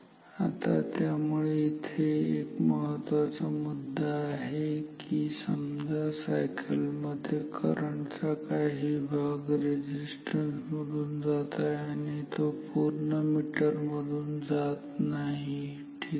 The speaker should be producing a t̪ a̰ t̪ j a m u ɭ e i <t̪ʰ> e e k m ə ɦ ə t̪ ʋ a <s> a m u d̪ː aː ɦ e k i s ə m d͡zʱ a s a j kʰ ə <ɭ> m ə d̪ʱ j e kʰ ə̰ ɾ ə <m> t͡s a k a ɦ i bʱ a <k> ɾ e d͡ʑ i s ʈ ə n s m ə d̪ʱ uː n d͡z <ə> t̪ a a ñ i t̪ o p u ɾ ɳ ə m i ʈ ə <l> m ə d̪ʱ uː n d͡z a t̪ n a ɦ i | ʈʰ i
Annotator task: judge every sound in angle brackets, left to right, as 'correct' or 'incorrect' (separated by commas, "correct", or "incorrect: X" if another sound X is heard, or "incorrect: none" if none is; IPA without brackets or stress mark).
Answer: correct, incorrect: t͡s, incorrect: l, incorrect: ɳ, incorrect: ɡ, incorrect: a, incorrect: ɾ